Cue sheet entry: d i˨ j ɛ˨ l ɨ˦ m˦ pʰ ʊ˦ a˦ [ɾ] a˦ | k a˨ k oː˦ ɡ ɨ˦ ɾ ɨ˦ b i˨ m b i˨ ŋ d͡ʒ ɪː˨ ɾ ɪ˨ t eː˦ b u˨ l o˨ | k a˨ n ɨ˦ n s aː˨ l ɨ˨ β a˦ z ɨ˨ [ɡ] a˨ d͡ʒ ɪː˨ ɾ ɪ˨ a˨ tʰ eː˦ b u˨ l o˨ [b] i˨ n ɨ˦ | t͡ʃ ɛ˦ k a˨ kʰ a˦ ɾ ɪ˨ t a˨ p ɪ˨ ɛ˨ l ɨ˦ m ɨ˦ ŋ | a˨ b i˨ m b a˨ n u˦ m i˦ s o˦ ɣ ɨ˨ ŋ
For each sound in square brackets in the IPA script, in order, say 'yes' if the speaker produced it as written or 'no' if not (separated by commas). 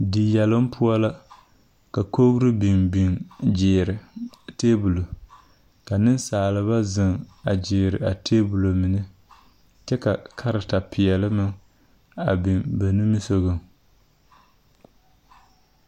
no, no, no